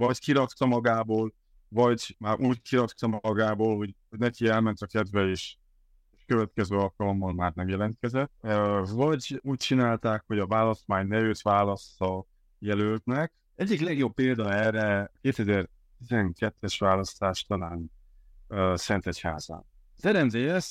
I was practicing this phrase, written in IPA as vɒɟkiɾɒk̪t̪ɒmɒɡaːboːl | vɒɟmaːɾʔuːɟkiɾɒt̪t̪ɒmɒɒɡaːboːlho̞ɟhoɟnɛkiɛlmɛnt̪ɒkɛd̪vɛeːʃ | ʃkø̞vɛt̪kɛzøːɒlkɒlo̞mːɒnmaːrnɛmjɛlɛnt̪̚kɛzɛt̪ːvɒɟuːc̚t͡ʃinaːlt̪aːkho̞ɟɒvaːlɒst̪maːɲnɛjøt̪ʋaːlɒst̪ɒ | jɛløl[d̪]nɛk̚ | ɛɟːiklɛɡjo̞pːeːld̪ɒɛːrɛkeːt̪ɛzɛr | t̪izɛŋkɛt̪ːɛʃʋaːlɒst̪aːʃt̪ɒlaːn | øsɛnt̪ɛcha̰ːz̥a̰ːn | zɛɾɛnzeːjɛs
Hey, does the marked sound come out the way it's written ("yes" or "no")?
no